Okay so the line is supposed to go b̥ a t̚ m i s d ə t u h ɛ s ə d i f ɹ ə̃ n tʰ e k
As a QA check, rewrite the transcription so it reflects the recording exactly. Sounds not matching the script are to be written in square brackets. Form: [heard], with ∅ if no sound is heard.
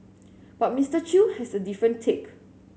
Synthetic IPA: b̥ a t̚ m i s [t] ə [t͡ʃ] u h ɛ s ə d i f ɹ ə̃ n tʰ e k